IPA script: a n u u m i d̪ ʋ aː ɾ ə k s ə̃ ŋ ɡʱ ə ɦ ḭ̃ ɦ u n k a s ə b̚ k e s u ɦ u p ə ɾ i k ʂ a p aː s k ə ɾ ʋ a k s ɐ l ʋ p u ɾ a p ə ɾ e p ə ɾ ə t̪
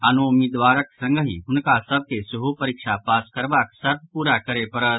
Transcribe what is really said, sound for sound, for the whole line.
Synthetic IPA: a n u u m i d̪ ʋ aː ɾ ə k s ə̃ ŋ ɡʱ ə ɦ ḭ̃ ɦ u n k a s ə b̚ k e s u ɦ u p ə ɾ i k ʂ a p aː s k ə ɾ ʋ a k s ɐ ɾ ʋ p u ɾ a k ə ɾ e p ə ɾ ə t̪